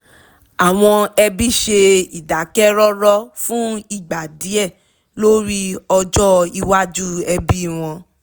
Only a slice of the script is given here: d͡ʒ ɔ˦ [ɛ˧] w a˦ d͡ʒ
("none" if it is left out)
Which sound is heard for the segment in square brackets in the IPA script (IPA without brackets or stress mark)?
i˧